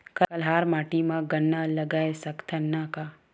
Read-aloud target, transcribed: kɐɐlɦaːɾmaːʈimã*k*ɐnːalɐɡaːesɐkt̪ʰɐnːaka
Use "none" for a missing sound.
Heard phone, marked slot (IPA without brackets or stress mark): ɡ